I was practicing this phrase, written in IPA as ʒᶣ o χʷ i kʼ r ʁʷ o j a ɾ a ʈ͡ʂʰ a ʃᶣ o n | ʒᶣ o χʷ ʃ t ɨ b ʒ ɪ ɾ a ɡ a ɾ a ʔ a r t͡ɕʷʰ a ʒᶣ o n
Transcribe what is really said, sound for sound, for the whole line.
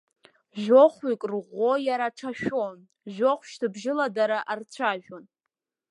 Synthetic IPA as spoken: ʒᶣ o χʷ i kʼ r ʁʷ o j a ɾ a ʈ͡ʂʰ a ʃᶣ o n | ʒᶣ o χʷ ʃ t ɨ b ʒ ɪ l a d a ɾ a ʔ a r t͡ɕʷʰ a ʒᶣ o n